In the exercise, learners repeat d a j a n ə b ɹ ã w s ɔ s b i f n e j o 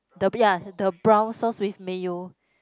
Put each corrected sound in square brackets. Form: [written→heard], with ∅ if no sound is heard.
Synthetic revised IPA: d [a→ə] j a [n→d] ə b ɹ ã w s ɔ s [b→w] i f [n→m] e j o